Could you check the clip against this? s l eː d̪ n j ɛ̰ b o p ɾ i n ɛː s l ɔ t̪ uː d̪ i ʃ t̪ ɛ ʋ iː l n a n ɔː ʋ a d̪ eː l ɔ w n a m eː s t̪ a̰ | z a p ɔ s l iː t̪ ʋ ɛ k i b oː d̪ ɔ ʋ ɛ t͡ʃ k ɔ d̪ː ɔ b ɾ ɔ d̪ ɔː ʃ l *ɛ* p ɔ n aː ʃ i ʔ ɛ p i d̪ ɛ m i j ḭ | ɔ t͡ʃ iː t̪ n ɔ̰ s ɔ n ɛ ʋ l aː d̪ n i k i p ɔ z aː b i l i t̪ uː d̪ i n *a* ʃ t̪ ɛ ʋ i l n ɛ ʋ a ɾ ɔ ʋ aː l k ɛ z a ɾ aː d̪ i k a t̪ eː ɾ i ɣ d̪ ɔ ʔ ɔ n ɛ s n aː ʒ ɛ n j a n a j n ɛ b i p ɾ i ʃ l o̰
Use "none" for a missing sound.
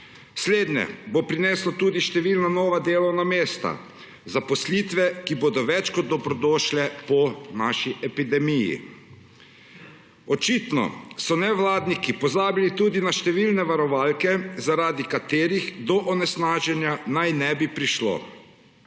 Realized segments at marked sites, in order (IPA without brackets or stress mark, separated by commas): ɛ, a